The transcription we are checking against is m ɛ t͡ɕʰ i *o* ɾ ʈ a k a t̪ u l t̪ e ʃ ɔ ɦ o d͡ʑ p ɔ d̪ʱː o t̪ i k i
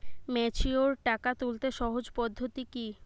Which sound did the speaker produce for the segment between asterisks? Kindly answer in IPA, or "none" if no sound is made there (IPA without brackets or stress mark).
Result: o